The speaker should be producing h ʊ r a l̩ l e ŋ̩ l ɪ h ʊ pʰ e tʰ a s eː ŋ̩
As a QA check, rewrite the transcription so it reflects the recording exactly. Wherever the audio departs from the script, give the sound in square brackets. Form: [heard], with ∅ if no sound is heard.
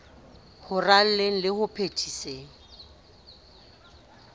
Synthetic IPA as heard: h ʊ r a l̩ l e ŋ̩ l ɪ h ʊ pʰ e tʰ [i] s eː ŋ̩